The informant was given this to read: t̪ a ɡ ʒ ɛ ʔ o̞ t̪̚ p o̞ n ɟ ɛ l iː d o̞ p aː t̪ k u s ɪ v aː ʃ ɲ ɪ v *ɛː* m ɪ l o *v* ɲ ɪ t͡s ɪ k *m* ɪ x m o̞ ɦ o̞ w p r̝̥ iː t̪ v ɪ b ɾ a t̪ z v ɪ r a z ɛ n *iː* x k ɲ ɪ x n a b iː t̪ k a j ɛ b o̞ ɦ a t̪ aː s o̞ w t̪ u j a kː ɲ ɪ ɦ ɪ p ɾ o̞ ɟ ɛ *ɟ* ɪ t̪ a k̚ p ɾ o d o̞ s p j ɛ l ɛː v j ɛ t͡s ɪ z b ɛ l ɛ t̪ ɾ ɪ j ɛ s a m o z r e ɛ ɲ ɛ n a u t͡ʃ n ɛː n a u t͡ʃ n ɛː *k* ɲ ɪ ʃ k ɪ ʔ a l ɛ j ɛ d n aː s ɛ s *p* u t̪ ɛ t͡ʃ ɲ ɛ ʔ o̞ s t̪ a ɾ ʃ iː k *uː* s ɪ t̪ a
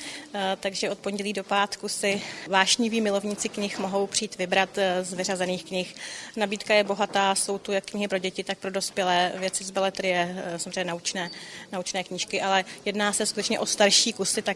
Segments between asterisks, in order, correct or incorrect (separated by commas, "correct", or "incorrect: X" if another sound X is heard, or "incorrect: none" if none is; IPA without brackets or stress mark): incorrect: iː, correct, incorrect: ɲ, correct, incorrect: c, correct, incorrect: k, incorrect: u